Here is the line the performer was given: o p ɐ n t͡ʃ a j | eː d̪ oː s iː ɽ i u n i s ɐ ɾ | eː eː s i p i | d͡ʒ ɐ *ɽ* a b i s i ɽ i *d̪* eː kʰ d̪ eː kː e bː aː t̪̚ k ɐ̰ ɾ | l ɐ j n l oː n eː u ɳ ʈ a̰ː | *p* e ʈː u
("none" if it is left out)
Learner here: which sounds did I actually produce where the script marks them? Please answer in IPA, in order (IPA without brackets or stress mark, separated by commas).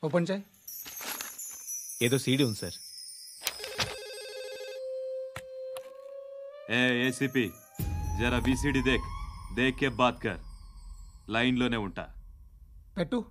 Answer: ɾ, d̪, p